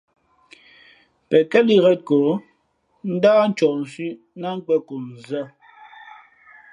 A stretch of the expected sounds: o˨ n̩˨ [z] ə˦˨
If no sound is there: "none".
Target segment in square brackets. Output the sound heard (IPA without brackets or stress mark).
z